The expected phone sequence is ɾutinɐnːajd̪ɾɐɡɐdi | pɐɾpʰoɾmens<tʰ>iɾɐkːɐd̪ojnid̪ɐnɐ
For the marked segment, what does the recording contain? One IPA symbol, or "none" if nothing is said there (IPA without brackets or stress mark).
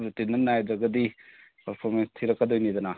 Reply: tʰ